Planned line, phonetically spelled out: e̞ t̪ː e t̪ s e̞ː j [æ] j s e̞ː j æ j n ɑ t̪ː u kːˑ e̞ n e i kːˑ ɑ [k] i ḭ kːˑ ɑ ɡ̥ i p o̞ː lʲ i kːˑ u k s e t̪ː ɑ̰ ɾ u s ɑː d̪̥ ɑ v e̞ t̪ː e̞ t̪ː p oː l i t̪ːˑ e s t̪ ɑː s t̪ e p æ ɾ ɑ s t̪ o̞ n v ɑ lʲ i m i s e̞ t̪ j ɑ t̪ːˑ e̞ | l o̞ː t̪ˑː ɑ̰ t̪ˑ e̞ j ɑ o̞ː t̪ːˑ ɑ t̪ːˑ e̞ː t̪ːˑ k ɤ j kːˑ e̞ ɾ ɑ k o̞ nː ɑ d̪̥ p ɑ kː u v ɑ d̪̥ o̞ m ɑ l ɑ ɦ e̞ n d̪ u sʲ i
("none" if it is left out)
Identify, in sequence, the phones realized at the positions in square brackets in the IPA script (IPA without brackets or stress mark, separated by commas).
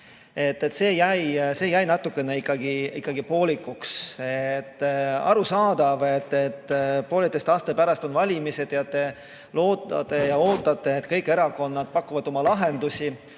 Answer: æ, ɡ